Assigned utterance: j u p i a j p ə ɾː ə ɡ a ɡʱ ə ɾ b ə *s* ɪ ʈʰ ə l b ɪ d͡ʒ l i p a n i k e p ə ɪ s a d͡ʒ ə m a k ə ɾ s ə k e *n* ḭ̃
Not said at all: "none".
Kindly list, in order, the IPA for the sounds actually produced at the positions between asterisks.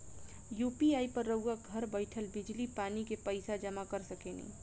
none, n

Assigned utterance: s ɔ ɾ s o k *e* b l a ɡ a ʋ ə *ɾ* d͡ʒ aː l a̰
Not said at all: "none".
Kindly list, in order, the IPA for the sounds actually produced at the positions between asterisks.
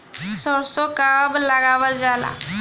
a, l

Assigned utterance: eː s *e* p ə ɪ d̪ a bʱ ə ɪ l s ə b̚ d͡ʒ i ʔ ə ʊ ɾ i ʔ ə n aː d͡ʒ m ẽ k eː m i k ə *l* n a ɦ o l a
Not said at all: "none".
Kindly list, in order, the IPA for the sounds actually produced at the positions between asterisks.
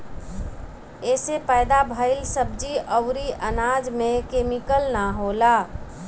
e, l

